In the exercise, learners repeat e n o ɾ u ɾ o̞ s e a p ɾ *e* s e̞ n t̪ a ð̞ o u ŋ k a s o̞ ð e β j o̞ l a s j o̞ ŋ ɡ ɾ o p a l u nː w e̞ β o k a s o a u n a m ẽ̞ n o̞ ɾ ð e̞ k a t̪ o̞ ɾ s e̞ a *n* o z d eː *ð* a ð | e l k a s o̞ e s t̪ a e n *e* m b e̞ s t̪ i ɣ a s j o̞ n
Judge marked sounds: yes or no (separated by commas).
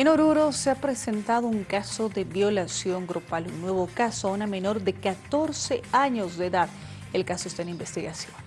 yes, no, yes, no